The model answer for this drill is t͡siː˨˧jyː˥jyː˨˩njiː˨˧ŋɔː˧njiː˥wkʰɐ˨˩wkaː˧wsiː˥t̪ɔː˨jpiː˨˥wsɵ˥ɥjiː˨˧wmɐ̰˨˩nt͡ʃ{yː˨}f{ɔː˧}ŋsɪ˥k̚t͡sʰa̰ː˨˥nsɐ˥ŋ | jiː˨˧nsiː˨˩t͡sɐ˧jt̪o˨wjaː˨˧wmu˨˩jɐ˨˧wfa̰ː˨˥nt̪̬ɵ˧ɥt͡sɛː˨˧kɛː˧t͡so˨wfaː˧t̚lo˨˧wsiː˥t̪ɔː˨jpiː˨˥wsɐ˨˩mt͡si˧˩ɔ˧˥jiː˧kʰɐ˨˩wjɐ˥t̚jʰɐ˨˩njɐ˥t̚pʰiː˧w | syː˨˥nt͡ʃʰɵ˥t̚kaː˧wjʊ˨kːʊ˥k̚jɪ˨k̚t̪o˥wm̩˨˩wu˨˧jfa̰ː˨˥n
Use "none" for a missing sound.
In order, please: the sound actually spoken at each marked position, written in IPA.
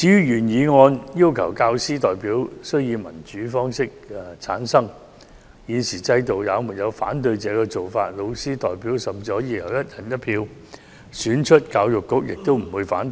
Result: yː˨˥, ɔː˥

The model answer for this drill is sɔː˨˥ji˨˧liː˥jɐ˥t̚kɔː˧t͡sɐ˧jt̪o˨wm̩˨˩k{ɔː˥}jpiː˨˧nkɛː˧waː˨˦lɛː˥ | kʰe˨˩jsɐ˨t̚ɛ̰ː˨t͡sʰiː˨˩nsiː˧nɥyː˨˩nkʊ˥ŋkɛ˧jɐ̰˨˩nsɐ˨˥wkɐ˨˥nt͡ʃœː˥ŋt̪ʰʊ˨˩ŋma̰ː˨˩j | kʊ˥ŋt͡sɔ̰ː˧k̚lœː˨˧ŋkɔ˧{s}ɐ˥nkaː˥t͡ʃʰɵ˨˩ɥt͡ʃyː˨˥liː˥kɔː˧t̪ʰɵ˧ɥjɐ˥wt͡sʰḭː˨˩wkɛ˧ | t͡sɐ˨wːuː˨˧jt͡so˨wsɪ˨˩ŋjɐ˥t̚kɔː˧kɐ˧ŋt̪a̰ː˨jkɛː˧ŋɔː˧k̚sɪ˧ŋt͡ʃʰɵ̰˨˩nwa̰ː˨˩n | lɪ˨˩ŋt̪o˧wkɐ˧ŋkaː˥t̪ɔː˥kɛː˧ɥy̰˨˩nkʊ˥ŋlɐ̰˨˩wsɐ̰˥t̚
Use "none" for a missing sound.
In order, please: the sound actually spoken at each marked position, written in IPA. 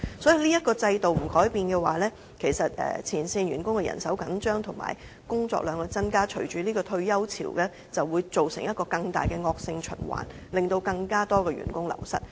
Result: ɔː˨˥, t͡s

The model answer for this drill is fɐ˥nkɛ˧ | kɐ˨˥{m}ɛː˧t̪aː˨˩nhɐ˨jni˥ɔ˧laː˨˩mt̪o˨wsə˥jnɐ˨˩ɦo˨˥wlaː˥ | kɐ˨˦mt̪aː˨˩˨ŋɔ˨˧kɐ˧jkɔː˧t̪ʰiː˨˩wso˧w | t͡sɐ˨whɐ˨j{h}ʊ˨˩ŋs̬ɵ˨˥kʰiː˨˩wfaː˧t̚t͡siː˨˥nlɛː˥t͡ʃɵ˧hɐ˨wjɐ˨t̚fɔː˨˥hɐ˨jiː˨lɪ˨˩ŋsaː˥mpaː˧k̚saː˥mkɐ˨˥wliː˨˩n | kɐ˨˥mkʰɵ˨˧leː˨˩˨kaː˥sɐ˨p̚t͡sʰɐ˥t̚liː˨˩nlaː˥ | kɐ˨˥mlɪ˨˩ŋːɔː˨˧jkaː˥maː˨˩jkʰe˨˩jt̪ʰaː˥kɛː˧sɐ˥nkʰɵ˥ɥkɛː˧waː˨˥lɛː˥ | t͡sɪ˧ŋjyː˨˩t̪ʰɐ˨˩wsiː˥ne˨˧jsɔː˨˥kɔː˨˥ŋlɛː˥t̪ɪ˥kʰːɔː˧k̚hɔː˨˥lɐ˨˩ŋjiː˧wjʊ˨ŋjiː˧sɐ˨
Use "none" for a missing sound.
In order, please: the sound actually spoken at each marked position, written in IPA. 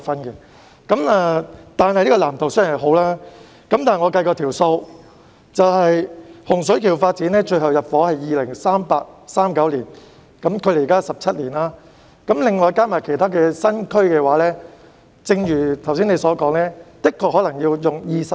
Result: m, h

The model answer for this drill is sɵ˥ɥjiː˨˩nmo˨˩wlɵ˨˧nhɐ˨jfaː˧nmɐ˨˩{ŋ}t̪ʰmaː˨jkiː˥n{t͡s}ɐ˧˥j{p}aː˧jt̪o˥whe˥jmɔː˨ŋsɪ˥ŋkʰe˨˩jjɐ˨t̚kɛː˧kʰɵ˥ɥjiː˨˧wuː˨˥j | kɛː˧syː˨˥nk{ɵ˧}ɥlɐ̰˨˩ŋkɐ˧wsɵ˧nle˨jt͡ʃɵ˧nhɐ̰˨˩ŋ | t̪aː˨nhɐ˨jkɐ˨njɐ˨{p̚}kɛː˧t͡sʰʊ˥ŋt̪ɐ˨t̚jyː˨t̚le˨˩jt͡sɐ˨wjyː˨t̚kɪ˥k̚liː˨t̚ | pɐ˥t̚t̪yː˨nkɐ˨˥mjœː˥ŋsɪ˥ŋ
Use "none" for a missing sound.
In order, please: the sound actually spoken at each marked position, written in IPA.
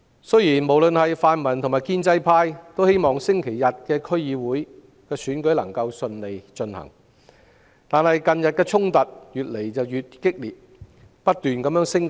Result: n, t͡s, pʰ, ɵ˨˥, t̚

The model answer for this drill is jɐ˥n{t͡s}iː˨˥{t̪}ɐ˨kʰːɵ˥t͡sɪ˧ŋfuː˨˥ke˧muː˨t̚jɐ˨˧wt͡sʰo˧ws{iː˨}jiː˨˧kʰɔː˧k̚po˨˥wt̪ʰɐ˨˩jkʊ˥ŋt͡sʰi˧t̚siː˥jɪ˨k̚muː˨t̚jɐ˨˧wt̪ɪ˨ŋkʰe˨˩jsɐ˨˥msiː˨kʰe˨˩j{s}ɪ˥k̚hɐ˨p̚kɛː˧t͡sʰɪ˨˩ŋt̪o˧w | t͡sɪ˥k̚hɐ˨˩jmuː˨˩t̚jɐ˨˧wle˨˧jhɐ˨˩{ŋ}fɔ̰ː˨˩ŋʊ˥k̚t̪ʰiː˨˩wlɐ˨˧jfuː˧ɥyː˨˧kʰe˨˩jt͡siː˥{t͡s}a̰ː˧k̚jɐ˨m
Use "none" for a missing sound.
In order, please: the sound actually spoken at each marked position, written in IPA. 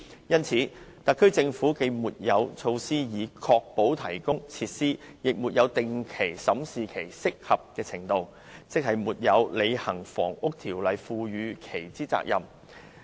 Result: t͡sʰ, t̪, iː˥, s, ŋ, t͡s

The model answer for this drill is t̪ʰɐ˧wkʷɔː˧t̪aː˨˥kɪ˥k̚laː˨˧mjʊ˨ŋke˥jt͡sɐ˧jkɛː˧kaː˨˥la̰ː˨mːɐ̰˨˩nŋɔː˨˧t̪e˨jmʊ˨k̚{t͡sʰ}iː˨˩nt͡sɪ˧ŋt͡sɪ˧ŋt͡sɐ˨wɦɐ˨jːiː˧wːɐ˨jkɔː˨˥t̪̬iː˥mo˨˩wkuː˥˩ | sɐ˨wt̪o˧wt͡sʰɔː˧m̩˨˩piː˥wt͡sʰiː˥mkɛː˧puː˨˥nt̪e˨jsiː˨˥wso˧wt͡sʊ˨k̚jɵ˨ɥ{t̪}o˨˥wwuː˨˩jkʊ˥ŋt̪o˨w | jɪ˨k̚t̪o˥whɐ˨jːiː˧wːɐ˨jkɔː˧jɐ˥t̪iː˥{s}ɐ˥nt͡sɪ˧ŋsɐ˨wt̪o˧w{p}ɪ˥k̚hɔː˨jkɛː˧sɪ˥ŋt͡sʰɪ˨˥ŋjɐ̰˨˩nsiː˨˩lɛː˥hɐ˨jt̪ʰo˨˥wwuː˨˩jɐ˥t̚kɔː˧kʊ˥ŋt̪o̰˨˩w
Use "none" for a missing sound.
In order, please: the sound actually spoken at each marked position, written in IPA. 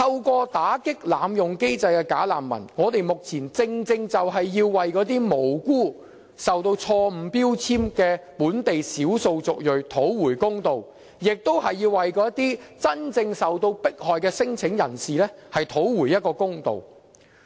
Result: t͡sʰ, t̪ʰ, t͡s, p

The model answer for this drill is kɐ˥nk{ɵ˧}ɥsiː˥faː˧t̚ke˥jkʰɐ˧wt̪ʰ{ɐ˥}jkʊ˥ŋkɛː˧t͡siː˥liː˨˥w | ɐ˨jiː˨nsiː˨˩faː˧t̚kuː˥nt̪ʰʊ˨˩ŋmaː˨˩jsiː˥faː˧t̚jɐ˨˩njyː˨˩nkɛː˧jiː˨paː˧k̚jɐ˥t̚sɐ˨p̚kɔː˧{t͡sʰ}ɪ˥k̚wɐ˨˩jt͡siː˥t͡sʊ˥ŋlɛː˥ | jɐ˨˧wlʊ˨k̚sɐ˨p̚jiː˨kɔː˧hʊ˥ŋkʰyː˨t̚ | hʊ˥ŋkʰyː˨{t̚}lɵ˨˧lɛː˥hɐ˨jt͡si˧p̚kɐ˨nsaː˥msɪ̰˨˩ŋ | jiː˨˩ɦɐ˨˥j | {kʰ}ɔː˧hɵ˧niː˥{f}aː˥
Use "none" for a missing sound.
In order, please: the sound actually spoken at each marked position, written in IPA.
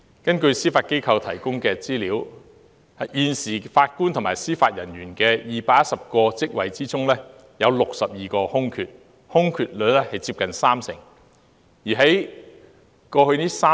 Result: ɵ˧, ɐ˨˩, t͡s, t̚, k, s

